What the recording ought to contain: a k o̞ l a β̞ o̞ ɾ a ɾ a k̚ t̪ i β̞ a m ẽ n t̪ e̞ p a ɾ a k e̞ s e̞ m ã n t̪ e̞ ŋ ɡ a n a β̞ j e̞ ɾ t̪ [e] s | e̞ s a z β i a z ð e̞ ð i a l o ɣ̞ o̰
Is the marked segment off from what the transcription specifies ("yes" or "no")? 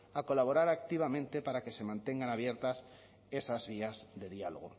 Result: yes